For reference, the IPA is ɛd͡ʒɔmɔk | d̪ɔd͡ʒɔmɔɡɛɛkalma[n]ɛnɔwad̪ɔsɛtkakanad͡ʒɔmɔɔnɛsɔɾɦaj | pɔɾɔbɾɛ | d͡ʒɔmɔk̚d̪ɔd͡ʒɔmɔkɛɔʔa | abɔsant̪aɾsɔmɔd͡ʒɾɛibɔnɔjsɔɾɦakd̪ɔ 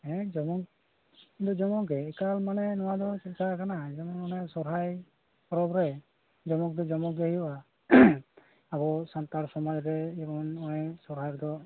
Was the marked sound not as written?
no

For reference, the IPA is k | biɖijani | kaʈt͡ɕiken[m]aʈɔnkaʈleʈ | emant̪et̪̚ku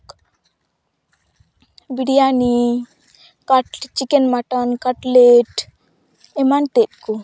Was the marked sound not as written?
no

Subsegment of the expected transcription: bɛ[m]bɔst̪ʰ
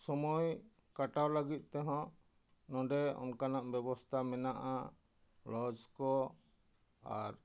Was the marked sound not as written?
yes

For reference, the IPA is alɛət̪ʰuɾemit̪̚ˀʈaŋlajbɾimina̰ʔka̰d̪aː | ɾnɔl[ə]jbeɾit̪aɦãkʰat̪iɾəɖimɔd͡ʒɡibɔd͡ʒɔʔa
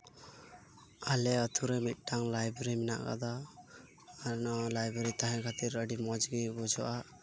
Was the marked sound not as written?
yes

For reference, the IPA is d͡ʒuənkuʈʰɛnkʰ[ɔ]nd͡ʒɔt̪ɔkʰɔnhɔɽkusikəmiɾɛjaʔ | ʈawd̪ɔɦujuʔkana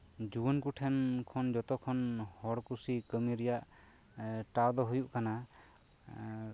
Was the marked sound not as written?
no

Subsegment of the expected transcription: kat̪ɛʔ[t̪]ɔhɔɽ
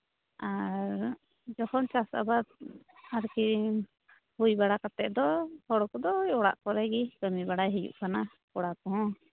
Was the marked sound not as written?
yes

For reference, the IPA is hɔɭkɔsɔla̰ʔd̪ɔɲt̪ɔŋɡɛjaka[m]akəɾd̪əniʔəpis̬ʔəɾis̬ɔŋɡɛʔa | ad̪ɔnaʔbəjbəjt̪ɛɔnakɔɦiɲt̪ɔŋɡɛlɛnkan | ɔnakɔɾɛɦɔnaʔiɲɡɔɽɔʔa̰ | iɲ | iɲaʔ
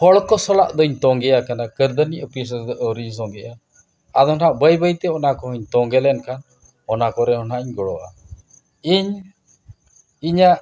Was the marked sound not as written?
yes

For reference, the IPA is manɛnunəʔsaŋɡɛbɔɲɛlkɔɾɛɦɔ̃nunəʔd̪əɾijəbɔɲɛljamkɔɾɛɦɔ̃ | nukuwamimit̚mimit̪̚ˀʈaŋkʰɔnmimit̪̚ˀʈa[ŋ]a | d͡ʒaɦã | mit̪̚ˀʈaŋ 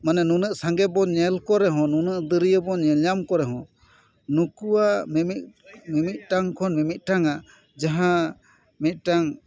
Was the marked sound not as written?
no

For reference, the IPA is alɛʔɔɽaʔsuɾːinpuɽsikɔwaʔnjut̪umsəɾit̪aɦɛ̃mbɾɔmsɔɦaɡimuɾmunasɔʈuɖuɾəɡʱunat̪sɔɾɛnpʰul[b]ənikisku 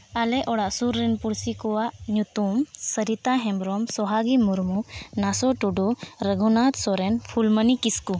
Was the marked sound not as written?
yes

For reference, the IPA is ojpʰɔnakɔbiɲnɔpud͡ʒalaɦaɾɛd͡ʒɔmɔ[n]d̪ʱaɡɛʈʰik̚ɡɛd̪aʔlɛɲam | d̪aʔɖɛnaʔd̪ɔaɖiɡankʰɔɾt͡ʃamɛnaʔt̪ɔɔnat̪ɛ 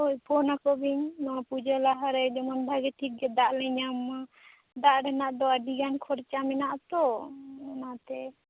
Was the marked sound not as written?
no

